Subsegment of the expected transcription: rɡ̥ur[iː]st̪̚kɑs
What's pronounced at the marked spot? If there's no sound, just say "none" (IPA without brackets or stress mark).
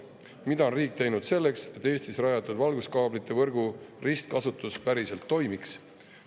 i